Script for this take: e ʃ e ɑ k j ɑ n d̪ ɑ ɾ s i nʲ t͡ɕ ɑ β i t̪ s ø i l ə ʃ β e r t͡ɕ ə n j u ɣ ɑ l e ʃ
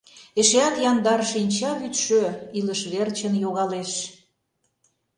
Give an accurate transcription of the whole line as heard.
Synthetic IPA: e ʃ e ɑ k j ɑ n d̪ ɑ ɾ ʃ i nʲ t͡ɕ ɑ β y t̪ ʃ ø i l ə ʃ β e r t͡ɕ ə n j o ɣ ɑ l e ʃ

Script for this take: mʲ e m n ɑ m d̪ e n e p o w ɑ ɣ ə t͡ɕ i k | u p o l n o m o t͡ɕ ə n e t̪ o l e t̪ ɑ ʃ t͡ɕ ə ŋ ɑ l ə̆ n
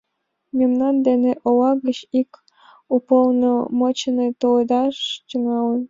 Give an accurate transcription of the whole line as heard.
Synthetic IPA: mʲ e m n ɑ n d̪ e n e ʔ o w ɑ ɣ ə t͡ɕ i k | u p o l n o m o t͡ɕ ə n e t̪ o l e d̪ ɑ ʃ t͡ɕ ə ŋ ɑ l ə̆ n

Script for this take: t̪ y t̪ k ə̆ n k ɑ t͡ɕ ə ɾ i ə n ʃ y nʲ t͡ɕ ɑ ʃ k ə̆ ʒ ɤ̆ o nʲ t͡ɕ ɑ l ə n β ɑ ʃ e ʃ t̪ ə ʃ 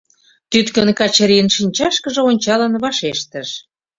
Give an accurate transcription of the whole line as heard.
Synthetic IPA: t̪ y t̪ k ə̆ n k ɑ t͡ɕ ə ɾ i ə n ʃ i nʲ t͡ɕ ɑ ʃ k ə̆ ʒ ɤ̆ o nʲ t͡ɕ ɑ l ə n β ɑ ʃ e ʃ t̪ ə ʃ

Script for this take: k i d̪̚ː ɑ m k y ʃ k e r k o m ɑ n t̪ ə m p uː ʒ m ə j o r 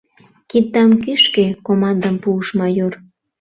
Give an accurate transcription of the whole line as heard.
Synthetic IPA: k i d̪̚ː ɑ m k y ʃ k e k o m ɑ n d̪ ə m p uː ʃ m ɑ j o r

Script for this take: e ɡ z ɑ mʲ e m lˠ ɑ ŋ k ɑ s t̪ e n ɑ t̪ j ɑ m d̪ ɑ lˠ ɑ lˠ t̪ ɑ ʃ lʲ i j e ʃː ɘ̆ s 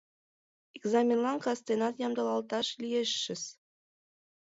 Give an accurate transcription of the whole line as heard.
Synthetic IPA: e ɡ z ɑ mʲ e n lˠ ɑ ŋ k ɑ s t̪ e n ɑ t̪ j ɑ m d̪ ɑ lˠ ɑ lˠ t̪ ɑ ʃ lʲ i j e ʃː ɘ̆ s

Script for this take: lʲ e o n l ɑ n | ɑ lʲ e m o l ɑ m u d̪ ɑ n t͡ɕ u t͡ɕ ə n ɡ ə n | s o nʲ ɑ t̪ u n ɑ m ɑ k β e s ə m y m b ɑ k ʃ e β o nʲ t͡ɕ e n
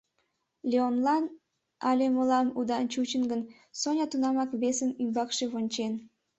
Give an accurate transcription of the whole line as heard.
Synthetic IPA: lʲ e o n l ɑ n | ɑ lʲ e m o l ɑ m u d̪ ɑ n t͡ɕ u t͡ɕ ə n ɡ ə n | s o nʲ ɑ t̪ u n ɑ m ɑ k β e s ə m y m b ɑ k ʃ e β o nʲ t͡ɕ e n

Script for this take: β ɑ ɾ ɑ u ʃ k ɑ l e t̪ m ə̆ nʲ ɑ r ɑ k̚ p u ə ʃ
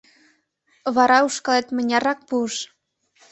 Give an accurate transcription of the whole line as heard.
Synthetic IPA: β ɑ ɾ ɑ u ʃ k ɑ l e t̪ m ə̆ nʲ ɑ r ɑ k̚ p u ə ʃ

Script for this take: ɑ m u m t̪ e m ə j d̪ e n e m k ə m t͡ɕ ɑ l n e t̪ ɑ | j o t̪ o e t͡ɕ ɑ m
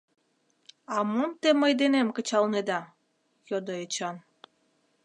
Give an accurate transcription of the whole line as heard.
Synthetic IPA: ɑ m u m t̪ e m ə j d̪ e n e m k ə t͡ɕ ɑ l n e d̪ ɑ | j o d̪ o e t͡ɕ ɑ n

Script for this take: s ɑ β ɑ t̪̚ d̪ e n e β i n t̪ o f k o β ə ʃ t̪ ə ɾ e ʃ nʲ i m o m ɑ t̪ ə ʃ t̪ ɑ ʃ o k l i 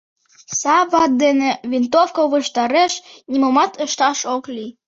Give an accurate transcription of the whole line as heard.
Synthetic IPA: s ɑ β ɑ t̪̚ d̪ e n e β i n t̪ o f k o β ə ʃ t̪ ɑ ɾ e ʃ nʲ i m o m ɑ t̪ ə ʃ t̪ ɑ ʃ o k l i

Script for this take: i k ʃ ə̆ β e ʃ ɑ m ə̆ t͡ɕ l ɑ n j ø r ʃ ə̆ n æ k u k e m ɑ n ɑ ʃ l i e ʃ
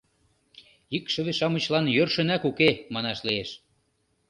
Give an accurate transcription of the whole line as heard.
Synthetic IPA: i k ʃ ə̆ β e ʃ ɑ m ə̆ t͡ɕ l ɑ n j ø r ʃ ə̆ n æ k u k e m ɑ n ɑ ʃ l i e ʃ

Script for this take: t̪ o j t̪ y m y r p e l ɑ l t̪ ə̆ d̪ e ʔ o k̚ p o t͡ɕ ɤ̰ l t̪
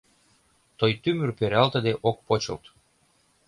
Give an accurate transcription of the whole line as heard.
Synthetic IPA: t̪ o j t̪ y m y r p e ɾ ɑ l t̪ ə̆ d̪ e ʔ o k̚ p o t͡ɕ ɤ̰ l t̪

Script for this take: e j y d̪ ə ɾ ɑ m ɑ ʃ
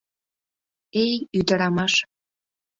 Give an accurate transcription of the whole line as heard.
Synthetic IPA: e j y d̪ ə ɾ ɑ m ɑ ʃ

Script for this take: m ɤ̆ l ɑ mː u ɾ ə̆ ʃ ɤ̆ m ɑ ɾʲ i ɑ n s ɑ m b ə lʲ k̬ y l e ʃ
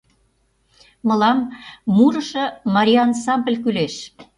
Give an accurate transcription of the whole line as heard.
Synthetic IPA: m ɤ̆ l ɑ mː u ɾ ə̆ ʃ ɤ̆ m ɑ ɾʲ i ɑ n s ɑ m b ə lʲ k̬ y l e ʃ

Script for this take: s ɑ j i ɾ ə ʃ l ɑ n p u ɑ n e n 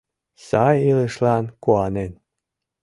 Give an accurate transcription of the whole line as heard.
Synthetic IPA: s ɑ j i l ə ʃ l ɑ n k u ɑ n e n

